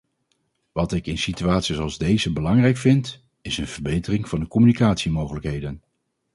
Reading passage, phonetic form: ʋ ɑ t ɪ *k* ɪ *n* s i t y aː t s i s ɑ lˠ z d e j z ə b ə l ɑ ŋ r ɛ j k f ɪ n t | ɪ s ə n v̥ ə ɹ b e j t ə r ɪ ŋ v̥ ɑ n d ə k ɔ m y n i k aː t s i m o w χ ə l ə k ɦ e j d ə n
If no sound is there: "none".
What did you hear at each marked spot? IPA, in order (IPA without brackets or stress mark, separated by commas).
k, n